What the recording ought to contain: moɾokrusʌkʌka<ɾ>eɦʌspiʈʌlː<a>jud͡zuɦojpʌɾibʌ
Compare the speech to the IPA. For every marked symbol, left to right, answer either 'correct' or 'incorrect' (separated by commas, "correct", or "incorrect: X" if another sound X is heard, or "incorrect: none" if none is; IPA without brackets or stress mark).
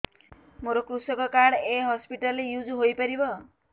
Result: incorrect: ɽ, incorrect: e